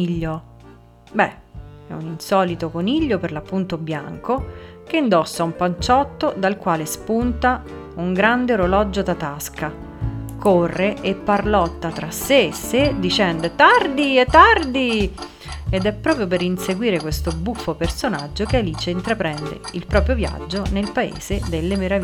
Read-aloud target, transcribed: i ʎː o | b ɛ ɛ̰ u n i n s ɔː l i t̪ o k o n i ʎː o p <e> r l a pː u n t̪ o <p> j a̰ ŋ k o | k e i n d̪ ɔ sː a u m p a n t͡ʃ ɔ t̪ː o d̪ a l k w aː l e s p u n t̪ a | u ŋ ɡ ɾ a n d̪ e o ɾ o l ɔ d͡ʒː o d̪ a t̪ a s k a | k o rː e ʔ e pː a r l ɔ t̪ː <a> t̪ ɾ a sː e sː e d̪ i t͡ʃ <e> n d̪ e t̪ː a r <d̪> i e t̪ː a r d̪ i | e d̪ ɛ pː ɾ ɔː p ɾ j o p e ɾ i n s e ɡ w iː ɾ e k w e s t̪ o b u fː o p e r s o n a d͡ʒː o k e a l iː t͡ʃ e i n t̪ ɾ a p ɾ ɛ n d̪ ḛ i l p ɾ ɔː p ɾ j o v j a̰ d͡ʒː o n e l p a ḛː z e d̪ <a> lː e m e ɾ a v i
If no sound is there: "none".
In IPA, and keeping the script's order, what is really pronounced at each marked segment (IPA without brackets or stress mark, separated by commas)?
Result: e, b, a, ɛ, d̪, e